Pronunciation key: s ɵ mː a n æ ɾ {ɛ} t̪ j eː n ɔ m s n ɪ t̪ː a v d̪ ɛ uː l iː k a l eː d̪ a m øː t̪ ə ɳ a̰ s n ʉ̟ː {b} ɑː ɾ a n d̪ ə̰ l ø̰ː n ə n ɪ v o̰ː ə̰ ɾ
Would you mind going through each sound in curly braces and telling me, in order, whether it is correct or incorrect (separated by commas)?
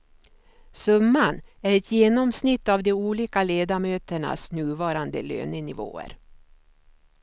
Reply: correct, incorrect